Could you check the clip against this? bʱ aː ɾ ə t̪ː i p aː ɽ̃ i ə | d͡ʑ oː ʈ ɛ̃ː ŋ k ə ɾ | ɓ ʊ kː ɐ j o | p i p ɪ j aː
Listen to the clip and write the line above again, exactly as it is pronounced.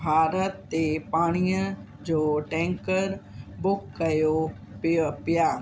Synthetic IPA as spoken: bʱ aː ɾ ə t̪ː e p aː ɽ̃ i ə | d͡ʑ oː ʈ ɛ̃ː ŋ k ə ɾ | b ʊ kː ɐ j o | p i p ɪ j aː

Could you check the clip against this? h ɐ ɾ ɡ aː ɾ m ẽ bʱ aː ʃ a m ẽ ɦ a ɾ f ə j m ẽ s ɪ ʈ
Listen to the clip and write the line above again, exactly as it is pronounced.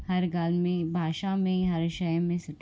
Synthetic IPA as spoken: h ɐ ɾ ɡ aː l m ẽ bʱ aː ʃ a m ẽ ɦ ɐ ɾ ʃ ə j m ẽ s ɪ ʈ

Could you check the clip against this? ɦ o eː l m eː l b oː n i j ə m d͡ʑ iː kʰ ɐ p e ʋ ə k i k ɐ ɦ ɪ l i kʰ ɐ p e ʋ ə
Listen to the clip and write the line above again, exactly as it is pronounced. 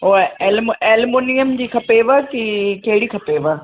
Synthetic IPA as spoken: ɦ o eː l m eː l m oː n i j ə m d͡ʑ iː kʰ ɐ p e ʋ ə k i k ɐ ɦ ɪ ɽ i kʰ ɐ p e ʋ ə

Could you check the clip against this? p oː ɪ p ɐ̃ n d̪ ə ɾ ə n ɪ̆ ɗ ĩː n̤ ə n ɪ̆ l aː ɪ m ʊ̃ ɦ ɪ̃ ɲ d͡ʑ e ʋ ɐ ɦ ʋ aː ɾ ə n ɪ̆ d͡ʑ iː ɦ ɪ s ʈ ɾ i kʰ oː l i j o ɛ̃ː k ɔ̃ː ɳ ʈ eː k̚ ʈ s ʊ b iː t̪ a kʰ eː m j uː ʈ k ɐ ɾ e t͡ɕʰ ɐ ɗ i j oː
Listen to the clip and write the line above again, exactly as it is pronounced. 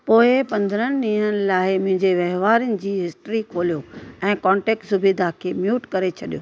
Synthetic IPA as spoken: p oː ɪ p ɐ̃ n d̪ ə ɾ ə n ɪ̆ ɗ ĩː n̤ ə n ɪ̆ l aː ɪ m ʊ̃ ɦ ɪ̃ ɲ d͡ʑ e ʋ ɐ ɦ ʋ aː ɾ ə n ɪ̆ d͡ʑ iː ɦ ɪ s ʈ ɾ i kʰ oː l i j o ɛ̃ː k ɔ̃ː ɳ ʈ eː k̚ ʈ s ʊ b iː d̪ a kʰ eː m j uː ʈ k ɐ ɾ e t͡ɕʰ ɐ ɗ i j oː

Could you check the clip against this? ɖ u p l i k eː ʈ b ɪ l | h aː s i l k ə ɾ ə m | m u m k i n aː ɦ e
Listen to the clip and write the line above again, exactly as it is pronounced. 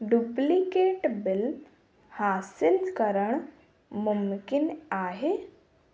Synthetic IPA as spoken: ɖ u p l i k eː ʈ b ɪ l | h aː s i l k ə ɾ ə ɳ | m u m k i n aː ɦ e

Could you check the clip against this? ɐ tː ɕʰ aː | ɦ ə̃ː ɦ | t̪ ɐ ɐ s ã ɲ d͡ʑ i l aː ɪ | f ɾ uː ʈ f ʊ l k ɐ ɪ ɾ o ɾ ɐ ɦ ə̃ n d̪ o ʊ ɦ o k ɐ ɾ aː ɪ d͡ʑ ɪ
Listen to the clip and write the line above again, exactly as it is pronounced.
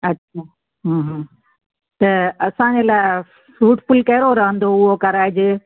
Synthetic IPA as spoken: ɐ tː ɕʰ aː | ɦ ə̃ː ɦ | t̪ ɐ ɐ s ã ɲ d͡ʑ e l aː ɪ | f ɾ uː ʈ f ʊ l k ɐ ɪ ɾ o ɾ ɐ ɦ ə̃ n d̪ o ʊ ɦ o k ɐ ɾ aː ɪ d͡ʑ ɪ

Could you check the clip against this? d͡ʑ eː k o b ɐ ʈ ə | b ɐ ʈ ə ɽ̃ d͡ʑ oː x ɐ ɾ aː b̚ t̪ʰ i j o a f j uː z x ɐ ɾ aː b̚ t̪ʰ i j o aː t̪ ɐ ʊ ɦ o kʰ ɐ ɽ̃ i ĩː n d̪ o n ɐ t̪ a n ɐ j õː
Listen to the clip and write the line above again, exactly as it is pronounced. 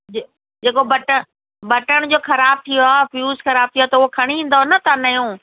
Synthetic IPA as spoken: d͡ʑ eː k o b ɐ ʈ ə | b ɐ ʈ ə ɽ̃ d͡ʑ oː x ɐ ɾ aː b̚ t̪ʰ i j o a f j uː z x ɐ ɾ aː b̚ t̪ʰ i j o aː t̪ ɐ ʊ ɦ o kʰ ɐ ɽ̃ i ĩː n d̪ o n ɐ t̪ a n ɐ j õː

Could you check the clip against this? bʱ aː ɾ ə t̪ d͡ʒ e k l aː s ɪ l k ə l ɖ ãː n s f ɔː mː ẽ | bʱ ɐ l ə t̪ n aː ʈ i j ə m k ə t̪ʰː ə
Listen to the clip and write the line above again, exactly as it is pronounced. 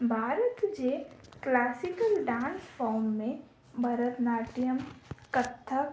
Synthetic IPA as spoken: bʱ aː ɾ ə t̪ d͡ʒ e k l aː s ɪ k ə l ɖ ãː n s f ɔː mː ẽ | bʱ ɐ ɾ ə t̪ n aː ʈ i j ə m k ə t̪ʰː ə

